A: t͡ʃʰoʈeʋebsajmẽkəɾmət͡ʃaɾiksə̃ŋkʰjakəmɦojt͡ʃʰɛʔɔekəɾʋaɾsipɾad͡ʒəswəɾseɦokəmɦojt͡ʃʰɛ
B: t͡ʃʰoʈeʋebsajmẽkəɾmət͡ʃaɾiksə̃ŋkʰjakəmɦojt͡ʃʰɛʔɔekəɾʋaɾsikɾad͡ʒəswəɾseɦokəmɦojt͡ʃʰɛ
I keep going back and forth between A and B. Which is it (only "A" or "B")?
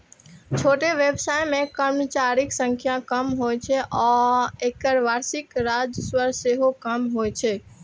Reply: B